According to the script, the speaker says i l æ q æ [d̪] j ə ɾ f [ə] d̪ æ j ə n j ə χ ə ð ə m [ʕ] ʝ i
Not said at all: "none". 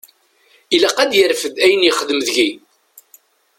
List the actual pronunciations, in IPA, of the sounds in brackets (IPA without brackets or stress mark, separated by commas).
d̪, ə, ð